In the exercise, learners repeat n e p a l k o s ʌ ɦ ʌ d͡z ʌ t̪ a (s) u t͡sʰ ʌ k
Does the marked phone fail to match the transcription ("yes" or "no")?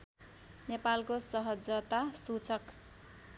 no